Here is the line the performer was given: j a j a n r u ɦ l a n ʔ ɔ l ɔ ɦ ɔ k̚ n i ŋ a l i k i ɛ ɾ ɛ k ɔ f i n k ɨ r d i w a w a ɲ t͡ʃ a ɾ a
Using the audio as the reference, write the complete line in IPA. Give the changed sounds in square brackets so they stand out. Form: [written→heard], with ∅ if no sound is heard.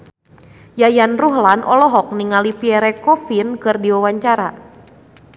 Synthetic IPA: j a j a n r u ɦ l a n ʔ ɔ l ɔ ɦ ɔ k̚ n i ŋ a l i [k→p] i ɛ ɾ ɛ k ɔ f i n k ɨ r d i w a w a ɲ t͡ʃ a ɾ a

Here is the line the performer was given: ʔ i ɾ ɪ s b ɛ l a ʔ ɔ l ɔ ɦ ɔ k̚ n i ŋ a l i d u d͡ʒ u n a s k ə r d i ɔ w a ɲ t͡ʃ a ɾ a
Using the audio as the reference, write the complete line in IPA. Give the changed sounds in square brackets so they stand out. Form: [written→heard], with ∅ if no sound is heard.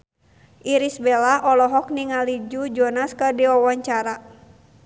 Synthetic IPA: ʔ i ɾ [ɪ→i] s b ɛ l a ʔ ɔ l ɔ ɦ ɔ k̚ n i ŋ a l i [d→d͡ʒ] u d͡ʒ [u→ɔ] n a s k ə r d i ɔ w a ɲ t͡ʃ a ɾ a

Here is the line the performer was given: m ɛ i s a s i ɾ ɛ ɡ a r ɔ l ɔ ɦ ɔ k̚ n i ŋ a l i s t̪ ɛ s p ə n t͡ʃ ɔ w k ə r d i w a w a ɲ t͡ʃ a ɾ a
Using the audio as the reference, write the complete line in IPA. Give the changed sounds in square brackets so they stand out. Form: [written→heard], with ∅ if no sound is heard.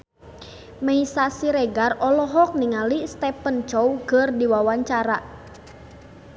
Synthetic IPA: m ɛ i s a s i ɾ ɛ ɡ a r ɔ l ɔ ɦ ɔ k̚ n i ŋ a l i s t̪ ɛ [s→∅] p ə n t͡ʃ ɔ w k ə r d i w a w a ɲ t͡ʃ a ɾ a

